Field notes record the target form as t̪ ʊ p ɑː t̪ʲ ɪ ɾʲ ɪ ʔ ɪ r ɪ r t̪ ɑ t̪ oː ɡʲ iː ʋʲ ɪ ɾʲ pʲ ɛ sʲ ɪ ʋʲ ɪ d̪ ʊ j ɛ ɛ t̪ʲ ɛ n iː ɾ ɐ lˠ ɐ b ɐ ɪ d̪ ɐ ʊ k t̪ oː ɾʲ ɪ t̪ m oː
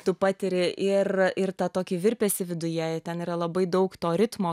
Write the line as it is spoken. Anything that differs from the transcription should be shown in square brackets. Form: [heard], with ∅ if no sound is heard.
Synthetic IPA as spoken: t̪ ʊ p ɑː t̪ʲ ɪ ɾʲ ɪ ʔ ɪ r ɪ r t̪ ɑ t̪ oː [kʲ] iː ʋʲ ɪ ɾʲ pʲ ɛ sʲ ɪ ʋʲ ɪ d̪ ʊ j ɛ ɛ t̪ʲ ɛ n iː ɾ ɐ lˠ ɐ b ɐ ɪ d̪ ɐ ʊ k t̪ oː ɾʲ ɪ t̪ m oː